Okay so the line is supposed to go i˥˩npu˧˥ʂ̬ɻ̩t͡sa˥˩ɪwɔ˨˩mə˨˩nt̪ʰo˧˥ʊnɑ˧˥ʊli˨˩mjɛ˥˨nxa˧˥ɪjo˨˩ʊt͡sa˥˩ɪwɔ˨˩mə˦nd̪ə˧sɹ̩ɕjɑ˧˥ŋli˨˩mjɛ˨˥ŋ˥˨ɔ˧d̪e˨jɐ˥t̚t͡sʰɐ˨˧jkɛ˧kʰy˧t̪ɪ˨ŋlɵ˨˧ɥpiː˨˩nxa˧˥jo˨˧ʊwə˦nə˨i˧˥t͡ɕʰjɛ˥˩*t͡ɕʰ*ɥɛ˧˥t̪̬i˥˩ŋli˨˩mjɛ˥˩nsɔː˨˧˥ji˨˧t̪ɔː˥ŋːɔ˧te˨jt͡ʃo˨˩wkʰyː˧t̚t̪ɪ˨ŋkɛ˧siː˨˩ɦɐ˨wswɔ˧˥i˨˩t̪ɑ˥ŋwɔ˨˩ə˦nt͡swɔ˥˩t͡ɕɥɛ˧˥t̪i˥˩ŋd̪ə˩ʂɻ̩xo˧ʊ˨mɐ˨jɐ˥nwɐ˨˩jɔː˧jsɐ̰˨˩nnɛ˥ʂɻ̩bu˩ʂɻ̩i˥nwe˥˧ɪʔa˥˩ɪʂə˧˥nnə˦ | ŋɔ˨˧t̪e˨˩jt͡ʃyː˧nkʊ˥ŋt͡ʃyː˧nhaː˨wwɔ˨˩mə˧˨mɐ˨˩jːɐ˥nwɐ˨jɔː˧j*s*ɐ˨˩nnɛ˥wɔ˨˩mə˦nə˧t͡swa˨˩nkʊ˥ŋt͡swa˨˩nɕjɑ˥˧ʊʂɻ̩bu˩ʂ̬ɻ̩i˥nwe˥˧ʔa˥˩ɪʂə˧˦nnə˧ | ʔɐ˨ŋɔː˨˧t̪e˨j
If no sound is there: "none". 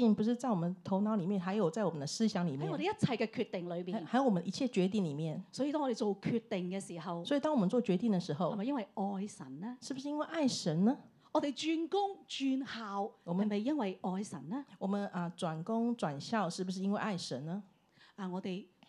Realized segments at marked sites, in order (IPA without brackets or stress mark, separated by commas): t͡ɕ, s